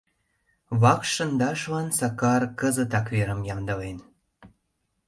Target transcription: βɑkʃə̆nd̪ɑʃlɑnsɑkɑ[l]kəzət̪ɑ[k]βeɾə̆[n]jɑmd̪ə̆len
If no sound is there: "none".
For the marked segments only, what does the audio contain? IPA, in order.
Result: r, k, m

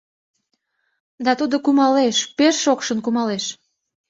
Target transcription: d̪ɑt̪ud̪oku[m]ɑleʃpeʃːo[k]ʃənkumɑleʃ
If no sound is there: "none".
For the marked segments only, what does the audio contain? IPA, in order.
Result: m, k

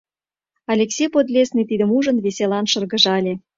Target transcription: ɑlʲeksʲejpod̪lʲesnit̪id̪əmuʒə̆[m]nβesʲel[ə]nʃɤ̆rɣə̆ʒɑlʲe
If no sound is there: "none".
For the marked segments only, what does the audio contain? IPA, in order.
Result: none, ɑ

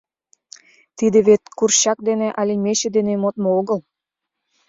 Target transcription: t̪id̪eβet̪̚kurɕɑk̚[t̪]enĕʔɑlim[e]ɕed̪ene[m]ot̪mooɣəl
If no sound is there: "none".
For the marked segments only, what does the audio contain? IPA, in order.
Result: d̪, e, m

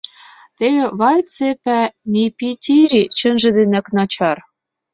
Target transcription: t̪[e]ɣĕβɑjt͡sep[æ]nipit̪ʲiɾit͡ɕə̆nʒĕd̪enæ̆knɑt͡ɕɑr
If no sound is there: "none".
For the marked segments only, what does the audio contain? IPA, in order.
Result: e, æ

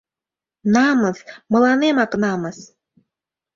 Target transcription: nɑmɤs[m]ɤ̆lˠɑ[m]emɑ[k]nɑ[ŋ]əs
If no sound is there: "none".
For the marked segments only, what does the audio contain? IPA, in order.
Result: m, n, k, m

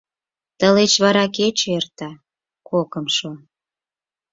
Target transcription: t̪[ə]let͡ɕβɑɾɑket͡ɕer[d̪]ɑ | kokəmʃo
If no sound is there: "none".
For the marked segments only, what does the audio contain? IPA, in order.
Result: ə, t̪

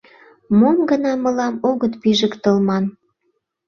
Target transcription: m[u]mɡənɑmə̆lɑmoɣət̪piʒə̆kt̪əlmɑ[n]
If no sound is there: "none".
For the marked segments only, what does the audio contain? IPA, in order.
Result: o, n

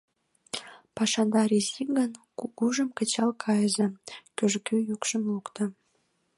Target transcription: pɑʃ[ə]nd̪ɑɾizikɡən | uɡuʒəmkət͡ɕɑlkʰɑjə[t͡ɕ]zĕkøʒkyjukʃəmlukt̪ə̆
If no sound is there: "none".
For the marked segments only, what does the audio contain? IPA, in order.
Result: ɑ, none

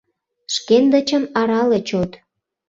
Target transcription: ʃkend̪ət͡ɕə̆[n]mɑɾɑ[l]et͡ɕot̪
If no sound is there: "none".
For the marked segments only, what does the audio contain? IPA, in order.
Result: none, l

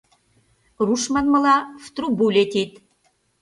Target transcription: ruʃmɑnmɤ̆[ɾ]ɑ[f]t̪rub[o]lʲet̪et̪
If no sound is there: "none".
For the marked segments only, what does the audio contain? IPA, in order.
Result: l, f, u

